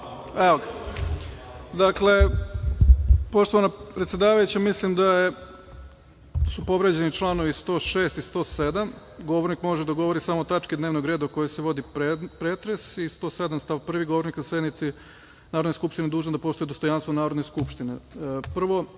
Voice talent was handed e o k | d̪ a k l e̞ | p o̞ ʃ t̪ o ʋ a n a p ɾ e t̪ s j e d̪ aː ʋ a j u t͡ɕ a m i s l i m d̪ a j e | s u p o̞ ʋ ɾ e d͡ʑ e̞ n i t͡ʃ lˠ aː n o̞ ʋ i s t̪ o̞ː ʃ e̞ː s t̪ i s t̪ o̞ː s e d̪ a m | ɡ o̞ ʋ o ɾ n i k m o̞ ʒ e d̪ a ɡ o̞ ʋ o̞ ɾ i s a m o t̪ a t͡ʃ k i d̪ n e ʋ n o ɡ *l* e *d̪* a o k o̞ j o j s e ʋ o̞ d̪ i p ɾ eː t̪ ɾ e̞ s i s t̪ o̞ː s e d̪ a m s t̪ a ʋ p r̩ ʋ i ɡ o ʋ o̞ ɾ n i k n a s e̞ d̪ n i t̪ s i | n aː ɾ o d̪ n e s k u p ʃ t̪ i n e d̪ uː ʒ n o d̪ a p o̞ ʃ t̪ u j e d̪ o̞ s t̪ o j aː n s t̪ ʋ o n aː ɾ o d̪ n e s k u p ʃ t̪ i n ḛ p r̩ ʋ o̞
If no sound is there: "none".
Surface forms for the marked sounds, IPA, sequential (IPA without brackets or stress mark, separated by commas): ɾ, d̪